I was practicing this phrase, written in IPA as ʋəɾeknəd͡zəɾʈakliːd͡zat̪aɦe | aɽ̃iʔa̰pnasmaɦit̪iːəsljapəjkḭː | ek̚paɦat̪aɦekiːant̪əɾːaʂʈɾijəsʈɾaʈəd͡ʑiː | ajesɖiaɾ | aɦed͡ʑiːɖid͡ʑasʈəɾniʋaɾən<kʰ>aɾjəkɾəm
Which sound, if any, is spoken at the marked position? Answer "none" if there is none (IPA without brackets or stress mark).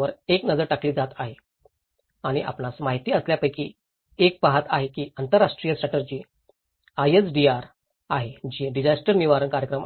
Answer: k